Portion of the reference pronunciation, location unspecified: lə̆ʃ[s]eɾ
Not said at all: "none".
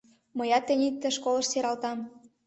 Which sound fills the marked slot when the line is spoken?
s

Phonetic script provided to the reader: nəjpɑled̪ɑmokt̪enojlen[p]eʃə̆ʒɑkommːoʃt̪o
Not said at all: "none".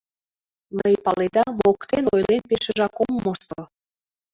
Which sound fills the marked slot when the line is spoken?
p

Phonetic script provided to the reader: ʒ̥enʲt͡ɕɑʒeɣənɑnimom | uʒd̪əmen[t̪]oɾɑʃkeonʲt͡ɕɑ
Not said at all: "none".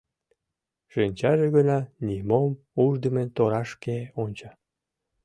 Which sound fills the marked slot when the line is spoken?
t̪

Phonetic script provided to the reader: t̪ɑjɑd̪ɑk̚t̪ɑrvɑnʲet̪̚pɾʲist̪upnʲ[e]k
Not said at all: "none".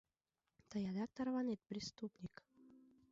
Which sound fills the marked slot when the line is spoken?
i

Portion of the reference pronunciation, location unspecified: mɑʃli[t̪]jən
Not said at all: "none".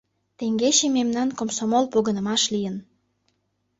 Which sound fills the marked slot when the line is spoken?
none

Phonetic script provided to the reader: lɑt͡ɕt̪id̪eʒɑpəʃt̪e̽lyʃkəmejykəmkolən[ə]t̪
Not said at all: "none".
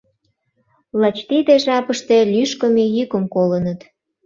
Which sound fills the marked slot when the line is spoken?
ə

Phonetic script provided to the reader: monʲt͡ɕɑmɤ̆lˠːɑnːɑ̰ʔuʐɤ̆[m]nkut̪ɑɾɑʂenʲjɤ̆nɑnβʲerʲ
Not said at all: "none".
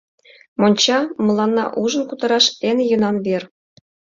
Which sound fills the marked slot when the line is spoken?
none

